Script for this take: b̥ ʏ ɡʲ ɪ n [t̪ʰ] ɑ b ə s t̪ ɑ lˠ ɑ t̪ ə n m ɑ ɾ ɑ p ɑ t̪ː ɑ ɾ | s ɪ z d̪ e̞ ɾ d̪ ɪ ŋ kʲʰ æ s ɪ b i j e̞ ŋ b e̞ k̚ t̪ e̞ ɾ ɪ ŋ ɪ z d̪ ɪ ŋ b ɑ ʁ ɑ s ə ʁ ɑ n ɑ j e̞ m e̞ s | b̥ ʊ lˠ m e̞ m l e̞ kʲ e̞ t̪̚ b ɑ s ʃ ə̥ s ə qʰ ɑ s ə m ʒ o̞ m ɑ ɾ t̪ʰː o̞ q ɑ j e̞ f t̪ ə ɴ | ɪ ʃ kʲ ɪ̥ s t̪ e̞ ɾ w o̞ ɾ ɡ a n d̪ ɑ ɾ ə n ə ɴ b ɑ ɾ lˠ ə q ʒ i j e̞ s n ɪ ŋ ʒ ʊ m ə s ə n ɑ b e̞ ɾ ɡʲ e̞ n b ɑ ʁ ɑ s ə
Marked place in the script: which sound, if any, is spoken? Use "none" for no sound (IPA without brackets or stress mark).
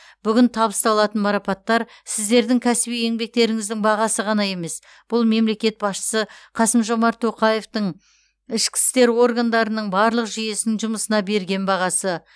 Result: t̪ʰ